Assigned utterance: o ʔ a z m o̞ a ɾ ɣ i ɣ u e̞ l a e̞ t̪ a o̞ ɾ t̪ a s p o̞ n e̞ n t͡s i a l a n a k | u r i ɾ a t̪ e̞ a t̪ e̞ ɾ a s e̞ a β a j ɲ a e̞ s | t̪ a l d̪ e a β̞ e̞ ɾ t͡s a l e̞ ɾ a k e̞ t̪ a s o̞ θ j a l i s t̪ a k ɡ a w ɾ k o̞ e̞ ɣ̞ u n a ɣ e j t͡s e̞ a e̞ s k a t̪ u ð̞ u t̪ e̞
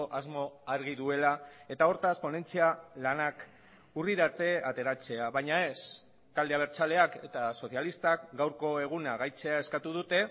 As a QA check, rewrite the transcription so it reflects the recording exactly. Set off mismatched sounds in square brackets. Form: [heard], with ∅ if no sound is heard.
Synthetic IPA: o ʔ a z m o̞ a ɾ ɣ i [ð] u e̞ l a e̞ t̪ a o̞ ɾ t̪ a s p o̞ n e̞ n t͡s i a l a n a k | u r i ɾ a t̪ e̞ a t̪ e̞ ɾ a [t͡s] e̞ a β a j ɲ a e̞ s | t̪ a l d̪ e a β̞ e̞ ɾ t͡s a l e̞ [∅] a k e̞ t̪ a s o̞ θ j a l i s t̪ a k ɡ a w ɾ k o̞ e̞ ɣ̞ u n a ɣ [a] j t͡s e̞ a e̞ s k a t̪ u ð̞ u t̪ e̞